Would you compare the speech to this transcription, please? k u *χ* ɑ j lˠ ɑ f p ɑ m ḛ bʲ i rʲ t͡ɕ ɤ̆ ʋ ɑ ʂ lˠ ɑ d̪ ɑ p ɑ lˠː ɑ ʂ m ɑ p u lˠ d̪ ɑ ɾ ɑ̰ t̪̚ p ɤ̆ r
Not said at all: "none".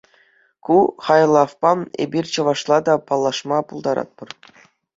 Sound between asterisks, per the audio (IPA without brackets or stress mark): χ